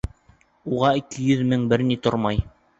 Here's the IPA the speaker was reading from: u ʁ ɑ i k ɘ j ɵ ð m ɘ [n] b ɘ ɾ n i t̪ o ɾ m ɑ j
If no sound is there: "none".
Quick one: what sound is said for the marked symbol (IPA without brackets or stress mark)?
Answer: ŋ